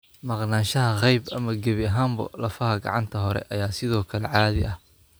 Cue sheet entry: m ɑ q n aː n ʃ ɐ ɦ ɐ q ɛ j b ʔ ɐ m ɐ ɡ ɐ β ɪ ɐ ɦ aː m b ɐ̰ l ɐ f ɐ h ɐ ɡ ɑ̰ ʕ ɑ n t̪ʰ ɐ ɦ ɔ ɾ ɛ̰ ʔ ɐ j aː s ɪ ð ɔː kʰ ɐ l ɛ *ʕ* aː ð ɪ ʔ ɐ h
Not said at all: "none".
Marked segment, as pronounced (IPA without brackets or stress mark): ʕ